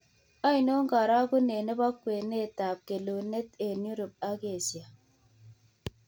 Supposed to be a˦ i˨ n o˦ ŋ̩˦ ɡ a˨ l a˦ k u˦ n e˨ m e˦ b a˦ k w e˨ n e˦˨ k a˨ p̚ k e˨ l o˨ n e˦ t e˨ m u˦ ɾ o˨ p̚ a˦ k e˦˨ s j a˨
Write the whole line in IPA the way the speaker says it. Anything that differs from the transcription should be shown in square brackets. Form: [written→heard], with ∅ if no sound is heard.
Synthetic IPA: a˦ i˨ n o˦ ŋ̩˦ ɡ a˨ [l→ɾ] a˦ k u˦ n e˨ [m→n] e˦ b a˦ k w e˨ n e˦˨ [k→t] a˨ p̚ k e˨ l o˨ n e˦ t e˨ [m→n] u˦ ɾ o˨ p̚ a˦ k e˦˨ s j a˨